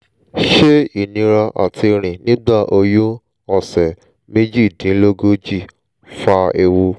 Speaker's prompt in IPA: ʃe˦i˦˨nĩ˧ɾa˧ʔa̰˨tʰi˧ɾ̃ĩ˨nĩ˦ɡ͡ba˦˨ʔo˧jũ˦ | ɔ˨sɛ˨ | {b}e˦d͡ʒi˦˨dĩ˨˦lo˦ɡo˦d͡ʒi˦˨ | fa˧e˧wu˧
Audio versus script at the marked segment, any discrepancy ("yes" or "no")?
yes